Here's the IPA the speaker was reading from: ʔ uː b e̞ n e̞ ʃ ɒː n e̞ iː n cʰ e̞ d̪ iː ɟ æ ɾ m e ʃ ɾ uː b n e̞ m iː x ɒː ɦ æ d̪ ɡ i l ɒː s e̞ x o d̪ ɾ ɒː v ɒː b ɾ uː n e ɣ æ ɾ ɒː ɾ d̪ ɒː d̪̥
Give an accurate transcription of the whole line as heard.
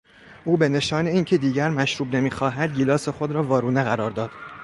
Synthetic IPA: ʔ uː b e̞ n e̞ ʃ ɒː n e̞ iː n cʰ e̞ d̪ iː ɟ æ ɾ m æ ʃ ɾ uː b n e̞ m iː x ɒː ɦ æ d̪ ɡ i l ɒː s e̞ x o d̪ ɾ ɒː v ɒː ɾ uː n e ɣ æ ɾ ɒː ɾ d̪ ɒː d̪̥